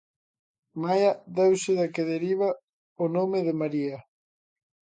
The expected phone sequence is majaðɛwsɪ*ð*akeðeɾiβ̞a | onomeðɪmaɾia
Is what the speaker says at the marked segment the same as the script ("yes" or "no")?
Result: yes